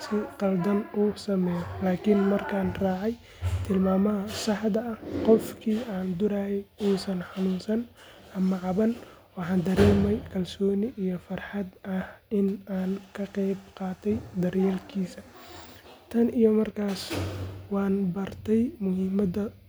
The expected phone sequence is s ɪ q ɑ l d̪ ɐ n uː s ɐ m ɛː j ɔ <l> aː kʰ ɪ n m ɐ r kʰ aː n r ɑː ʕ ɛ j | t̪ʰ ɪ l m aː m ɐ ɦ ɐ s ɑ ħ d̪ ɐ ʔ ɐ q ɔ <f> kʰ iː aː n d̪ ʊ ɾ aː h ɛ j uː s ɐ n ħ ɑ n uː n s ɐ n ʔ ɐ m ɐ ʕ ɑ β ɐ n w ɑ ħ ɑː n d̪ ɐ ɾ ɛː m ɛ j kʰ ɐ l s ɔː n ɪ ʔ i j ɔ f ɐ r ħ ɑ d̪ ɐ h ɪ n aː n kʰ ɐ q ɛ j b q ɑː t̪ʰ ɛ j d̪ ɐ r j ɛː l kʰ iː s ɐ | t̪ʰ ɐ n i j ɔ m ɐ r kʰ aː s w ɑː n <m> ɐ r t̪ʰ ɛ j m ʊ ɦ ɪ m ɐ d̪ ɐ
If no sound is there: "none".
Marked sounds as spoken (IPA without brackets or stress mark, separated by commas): l, f, b